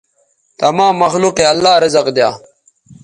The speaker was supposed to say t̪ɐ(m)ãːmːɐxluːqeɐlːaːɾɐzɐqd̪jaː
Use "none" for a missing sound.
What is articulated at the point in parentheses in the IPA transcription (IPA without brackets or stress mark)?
m